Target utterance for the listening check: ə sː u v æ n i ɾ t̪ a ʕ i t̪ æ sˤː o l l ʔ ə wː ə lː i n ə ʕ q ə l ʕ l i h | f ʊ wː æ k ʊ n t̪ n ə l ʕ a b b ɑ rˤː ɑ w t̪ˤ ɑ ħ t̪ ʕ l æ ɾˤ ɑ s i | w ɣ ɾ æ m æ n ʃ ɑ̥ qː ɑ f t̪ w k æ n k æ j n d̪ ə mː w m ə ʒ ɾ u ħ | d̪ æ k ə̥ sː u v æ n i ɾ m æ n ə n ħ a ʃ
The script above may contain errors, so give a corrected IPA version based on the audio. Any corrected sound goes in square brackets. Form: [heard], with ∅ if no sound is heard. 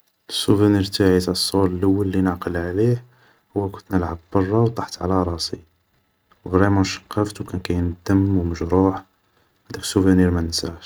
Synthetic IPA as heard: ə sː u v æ n i ɾ t̪ a ʕ i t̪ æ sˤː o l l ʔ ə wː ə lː i n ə ʕ q ə l ʕ l i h | [h] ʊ wː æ k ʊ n t̪ n ə l ʕ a b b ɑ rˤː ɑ w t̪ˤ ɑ ħ t̪ ʕ l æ ɾˤ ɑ s i | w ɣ ɾ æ m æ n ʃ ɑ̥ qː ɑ f t̪ w k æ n k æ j n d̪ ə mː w m ə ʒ ɾ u ħ | d̪ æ k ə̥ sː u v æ n i ɾ m æ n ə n [s] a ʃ